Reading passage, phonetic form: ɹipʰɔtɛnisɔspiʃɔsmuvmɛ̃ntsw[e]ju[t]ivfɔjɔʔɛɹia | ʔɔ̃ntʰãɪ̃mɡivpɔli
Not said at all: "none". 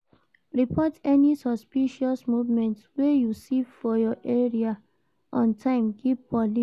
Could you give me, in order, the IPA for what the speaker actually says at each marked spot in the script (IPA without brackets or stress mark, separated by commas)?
e, s